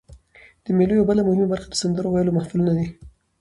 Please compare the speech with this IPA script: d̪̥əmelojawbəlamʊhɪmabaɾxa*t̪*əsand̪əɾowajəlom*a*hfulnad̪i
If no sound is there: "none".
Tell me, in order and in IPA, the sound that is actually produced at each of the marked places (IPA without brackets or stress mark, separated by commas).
d̪, a